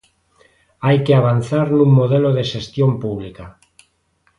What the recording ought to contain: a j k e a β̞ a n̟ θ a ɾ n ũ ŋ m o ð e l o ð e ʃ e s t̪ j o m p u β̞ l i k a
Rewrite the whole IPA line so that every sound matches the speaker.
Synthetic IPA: a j k e a β̞ a n̟ θ a ɾ n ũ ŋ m o ð e l o ð e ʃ e s t̪ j o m p u β̞ l i k a

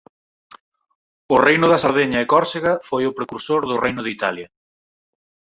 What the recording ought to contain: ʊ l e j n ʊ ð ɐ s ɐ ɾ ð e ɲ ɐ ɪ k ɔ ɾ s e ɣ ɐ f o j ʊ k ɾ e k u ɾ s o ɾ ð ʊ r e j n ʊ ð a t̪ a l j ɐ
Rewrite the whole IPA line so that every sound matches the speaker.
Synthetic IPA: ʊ r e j n ʊ ð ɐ s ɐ ɾ ð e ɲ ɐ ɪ k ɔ ɾ s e ɣ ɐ f o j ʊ p ɾ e k u ɾ s o ɾ ð ʊ r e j n ʊ ð i t̪ a l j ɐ

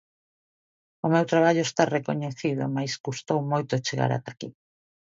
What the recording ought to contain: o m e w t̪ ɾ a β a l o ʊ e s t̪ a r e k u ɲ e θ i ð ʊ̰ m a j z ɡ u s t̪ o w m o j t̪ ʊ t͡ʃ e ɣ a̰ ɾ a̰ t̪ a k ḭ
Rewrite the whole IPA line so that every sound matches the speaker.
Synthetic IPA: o m e w t̪ ɾ a β a ʎ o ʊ e s t̪ a r e k o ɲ e θ i ð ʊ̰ m a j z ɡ u s t̪ o w m o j t̪ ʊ t͡ʃ e ɣ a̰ ɾ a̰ t̪ a k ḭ

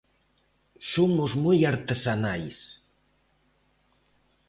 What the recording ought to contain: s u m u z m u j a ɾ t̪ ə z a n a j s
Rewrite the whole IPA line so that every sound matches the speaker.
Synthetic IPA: s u m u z m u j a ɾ t̪ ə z a n a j s

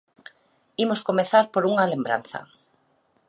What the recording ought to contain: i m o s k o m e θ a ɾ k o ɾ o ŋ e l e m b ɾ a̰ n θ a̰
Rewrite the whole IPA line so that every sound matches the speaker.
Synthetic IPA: i m o s k o m e θ a ɾ p o ɾ u ŋ a l e m b ɾ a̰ n θ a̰

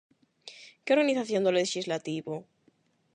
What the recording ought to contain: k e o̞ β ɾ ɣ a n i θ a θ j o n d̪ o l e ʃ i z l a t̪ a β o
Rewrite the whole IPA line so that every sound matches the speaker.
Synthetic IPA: k e o̞ ɾ ɣ a n i θ a θ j o n d̪ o l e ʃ i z l a t̪ i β o

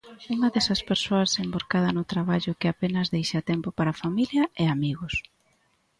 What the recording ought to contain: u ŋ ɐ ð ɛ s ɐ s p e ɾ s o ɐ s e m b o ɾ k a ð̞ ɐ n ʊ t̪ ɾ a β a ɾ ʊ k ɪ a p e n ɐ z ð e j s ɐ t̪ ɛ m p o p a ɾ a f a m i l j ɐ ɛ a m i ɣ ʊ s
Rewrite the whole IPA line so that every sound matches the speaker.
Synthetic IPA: u ŋ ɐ ð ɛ s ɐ s p e ɾ s o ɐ s e m b o ɾ k a ð̞ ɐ n ʊ t̪ ɾ a β a ʎ ʊ k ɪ a p e n ɐ z ð e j ʃ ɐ t̪ ɛ m p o p a ɾ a f a m i l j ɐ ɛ a m i ɣ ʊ s

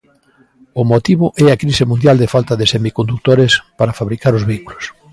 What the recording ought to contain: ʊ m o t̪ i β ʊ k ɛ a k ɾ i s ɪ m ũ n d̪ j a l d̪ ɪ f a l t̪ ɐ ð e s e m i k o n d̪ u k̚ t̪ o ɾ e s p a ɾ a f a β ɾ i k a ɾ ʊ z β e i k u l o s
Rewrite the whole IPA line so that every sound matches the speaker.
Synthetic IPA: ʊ m o t̪ i β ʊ ʔ ɛ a k ɾ i s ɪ m ũ n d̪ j a l d̪ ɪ f a l t̪ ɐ ð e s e m i k o n d̪ u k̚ t̪ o ɾ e s p a ɾ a f a β ɾ i k a ɾ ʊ z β e i k u l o s

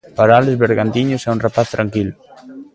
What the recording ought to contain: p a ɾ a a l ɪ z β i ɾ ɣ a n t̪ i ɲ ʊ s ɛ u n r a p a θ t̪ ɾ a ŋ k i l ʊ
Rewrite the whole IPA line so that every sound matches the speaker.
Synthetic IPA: p a ɾ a a l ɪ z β e ɾ ɣ a n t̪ i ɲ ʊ s ɛ u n r a p a θ t̪ ɾ a ŋ k i l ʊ

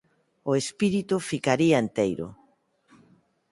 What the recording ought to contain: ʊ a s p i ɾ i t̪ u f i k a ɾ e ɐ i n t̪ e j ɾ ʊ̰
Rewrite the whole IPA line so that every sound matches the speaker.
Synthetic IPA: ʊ e s p i ɾ i t̪ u f i k a ɾ i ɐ e n t̪ e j ɾ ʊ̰

